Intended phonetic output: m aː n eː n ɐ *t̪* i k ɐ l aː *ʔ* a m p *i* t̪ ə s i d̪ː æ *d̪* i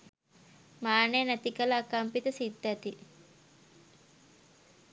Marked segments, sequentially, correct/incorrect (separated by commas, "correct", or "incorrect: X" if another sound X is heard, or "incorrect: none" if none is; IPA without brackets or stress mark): correct, incorrect: k, correct, incorrect: t̪